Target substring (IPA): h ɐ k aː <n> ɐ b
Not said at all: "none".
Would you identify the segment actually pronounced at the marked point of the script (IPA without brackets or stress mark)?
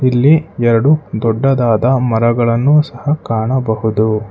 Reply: ɳ